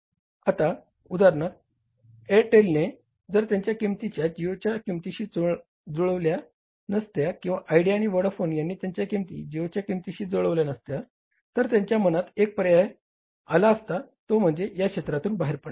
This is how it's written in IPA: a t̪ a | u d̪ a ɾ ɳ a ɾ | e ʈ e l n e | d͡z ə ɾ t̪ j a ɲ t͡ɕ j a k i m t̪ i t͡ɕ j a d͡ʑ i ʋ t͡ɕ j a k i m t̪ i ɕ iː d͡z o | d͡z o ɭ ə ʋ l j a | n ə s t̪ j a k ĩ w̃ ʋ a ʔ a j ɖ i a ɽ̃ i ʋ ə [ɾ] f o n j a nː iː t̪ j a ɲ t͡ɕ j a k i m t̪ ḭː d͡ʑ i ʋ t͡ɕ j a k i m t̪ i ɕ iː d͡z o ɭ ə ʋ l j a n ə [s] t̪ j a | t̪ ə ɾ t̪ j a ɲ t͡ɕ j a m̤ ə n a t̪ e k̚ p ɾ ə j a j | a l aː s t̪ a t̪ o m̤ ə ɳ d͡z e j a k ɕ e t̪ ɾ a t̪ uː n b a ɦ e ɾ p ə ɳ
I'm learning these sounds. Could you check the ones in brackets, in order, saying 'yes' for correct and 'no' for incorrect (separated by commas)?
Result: no, yes